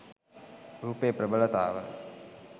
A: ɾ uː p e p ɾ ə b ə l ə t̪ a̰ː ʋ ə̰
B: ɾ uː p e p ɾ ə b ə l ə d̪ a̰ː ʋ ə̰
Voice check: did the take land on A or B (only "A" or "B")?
A